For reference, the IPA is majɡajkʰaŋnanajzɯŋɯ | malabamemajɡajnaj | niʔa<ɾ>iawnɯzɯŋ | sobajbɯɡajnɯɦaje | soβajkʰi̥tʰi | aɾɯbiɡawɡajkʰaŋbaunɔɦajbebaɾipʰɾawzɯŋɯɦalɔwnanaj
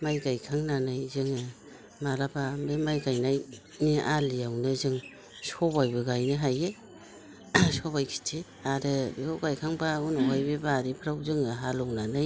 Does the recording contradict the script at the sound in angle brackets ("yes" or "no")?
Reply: yes